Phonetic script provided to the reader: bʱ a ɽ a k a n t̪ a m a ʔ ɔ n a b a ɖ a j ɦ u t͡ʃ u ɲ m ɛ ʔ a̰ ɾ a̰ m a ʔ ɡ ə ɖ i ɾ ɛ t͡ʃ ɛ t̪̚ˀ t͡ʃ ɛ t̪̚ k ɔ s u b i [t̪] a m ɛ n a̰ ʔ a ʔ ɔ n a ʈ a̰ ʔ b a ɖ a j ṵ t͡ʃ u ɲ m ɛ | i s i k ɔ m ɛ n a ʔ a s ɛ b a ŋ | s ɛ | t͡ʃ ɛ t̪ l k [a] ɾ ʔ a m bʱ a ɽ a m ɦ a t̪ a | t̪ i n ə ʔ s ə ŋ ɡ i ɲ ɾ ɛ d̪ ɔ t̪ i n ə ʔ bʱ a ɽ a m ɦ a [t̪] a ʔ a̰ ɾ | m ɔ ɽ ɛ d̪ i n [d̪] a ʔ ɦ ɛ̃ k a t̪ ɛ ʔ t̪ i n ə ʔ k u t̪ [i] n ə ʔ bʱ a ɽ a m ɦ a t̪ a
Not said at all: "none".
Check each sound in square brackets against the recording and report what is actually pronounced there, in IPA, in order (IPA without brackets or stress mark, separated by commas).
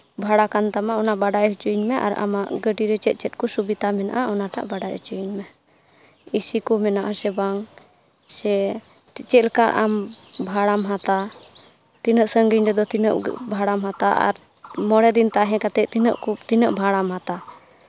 t̪, a, t̪, t̪, i